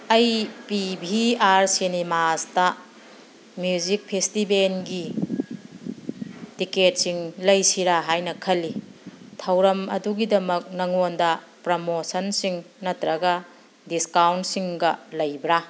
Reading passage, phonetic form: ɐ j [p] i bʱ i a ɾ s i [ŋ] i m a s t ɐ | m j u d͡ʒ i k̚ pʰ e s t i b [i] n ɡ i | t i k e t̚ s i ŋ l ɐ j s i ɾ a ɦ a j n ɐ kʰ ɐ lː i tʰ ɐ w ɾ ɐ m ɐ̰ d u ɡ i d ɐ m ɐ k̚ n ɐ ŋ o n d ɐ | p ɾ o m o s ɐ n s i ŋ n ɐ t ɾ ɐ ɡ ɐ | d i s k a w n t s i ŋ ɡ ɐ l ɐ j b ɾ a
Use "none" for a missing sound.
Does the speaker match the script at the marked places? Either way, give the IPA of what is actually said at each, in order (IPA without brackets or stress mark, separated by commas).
p, n, e